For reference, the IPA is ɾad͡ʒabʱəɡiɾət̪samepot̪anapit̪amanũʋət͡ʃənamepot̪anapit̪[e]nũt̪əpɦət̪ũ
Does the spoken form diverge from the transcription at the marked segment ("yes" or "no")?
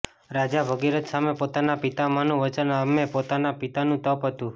yes